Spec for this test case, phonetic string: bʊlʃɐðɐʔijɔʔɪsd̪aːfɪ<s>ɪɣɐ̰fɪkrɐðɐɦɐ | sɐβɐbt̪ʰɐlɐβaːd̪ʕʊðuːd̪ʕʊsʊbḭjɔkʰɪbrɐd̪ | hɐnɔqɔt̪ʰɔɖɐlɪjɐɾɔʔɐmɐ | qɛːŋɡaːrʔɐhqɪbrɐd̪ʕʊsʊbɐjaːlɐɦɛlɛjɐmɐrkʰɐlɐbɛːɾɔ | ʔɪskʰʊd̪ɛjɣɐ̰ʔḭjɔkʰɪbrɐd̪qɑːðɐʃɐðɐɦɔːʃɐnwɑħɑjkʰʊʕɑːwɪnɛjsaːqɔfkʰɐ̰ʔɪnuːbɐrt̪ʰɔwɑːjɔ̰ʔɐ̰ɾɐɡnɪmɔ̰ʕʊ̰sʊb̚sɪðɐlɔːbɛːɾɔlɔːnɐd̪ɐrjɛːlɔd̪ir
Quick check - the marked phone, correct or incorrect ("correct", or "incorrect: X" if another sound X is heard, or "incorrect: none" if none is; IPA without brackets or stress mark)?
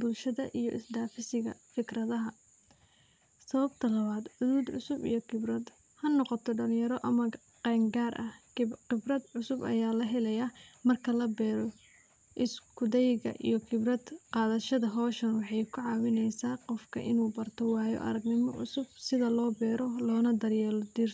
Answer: correct